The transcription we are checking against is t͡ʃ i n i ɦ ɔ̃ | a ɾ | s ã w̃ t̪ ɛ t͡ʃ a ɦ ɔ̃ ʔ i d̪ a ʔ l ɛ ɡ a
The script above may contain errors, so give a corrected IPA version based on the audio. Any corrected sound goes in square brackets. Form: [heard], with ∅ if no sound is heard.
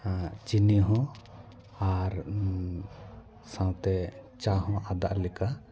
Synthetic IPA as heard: t͡ʃ i n i ɦ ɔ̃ | a ɾ | s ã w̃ t̪ ɛ t͡ʃ a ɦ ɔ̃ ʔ [a] d̪ a ʔ l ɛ [k] a